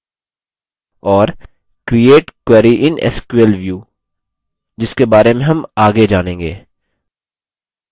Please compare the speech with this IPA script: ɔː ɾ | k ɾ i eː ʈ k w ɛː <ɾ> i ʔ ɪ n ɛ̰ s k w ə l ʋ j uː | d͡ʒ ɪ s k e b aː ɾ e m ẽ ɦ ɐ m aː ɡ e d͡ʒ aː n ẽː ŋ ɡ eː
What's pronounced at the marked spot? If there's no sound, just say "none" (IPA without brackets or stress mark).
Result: ɾ